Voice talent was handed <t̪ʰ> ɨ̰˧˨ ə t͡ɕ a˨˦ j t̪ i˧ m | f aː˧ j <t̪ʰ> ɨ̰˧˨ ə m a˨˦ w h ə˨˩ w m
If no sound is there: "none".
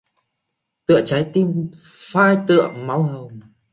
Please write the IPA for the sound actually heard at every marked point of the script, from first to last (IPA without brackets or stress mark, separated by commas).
t̪, t̪